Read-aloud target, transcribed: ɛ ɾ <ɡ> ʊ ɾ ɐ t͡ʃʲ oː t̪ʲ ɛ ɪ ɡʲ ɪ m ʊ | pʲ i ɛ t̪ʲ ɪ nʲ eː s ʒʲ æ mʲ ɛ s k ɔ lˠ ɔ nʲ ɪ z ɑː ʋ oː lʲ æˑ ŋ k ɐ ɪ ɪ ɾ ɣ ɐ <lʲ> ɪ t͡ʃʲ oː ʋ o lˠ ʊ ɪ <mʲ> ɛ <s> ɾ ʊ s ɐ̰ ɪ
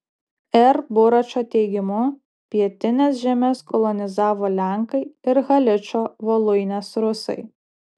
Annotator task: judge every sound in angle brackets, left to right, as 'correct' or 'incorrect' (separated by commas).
incorrect, correct, incorrect, correct